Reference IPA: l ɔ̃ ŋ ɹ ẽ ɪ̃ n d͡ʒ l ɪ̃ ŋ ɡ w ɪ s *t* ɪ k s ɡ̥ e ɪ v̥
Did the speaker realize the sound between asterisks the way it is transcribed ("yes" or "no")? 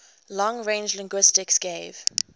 yes